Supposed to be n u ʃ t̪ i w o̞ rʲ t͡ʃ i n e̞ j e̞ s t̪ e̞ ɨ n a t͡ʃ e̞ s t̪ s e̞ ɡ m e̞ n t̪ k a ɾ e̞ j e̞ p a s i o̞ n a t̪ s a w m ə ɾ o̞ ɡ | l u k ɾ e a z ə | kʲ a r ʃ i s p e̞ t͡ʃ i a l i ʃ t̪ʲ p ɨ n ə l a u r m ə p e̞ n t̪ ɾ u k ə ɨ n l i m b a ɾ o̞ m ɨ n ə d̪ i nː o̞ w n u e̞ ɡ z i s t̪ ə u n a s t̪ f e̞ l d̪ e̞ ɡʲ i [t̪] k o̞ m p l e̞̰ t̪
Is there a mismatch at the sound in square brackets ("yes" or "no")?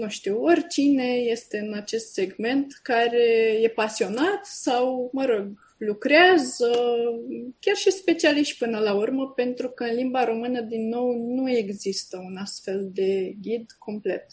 yes